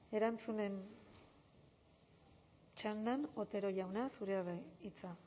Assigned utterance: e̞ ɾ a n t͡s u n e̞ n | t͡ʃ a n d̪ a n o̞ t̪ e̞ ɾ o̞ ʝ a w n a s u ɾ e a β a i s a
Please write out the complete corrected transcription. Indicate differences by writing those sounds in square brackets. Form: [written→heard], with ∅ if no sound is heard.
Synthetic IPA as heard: e̞ ɾ a n t͡s u n e̞ n | t͡ʃ a n d̪ a n o̞ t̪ e̞ ɾ o̞ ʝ a w n a s u ɾ e a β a i [s→t͡s] a